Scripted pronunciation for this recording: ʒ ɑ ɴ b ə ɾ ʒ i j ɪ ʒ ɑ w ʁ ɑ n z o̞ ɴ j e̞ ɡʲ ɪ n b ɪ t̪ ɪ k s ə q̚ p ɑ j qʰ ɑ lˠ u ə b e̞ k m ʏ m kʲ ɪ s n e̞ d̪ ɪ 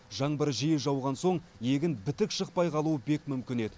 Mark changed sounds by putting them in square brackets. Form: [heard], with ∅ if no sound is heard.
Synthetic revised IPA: ʒ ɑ ɴ b ə ɾ ʒ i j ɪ ʒ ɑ w ʁ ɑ n [s] o̞ ɴ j e̞ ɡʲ ɪ n b ɪ t̪ ɪ k [ʃ] ə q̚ p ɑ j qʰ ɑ lˠ u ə b e̞ k m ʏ m kʲ ɪ [∅] n e̞ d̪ ɪ